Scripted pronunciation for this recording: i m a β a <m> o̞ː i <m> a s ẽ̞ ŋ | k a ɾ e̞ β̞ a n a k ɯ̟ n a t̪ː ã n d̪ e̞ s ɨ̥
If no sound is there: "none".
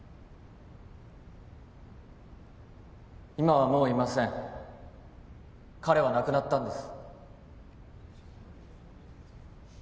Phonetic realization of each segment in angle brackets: m, m

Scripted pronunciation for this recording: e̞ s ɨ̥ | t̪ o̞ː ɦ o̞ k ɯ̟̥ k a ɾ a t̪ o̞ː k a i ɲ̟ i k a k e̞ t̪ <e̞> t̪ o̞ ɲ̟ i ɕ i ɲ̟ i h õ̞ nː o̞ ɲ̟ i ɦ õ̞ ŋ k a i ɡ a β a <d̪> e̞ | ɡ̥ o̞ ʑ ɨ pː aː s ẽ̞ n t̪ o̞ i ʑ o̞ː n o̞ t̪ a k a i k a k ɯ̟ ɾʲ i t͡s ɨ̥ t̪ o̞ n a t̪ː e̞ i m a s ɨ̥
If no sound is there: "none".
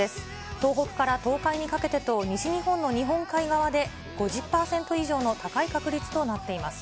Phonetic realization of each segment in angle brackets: e̞, d̪

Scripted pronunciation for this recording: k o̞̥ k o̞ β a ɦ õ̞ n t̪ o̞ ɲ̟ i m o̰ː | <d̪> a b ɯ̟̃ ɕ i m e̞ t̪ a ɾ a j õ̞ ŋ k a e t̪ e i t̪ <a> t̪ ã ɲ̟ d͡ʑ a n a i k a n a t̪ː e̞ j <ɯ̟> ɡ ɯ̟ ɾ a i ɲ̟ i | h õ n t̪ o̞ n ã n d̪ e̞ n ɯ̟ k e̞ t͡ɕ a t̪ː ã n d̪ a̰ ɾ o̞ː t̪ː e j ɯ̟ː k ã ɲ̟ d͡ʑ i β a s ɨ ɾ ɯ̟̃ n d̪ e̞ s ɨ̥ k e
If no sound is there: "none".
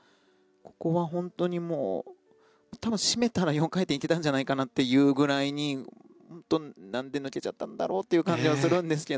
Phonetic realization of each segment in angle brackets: t̪, e, ɯ̟ː

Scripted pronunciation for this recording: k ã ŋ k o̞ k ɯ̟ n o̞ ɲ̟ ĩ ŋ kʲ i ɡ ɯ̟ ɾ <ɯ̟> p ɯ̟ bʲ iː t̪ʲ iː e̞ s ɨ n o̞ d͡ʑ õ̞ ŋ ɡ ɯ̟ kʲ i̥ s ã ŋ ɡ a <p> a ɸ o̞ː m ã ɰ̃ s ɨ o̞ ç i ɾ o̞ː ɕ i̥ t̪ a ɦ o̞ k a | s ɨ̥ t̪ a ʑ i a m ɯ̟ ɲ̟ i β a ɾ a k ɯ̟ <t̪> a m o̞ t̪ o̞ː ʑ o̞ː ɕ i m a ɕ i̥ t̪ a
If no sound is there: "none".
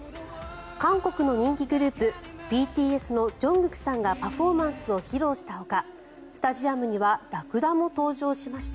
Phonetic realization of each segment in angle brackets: ɯ̟ː, p, d̪

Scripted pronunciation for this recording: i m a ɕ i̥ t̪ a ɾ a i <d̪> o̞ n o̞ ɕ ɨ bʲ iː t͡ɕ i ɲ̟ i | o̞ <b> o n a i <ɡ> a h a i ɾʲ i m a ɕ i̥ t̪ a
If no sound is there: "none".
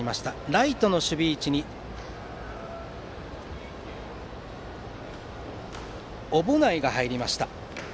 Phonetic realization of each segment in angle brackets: t̪, b, ɡ

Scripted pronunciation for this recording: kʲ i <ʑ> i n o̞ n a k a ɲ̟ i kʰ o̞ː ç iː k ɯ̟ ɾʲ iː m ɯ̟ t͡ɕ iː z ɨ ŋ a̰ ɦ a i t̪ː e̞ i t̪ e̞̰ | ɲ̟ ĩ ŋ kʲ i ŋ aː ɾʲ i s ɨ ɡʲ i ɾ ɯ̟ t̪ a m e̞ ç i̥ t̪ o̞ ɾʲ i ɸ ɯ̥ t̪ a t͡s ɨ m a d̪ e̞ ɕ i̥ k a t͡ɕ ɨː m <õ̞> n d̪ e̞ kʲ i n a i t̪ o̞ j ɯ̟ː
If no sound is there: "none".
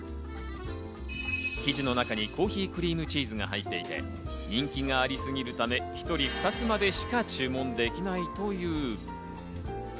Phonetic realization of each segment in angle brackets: ʑ, õ̞

